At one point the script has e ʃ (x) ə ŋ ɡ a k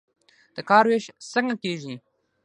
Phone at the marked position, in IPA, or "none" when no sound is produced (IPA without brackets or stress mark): s